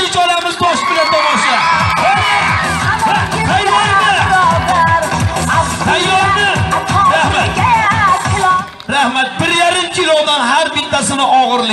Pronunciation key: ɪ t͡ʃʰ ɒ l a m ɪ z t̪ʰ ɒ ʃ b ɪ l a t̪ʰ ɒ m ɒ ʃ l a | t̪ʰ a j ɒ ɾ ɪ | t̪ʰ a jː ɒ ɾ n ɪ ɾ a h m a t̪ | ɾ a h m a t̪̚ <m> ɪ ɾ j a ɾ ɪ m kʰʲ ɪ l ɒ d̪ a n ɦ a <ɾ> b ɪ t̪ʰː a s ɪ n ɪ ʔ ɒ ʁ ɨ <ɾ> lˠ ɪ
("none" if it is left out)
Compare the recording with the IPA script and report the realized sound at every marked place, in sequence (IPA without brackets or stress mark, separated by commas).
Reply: b, ɾ, ɾ